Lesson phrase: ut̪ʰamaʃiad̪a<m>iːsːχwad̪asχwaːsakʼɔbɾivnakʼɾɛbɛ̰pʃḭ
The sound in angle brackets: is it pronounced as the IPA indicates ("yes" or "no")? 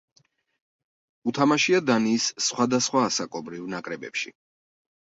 no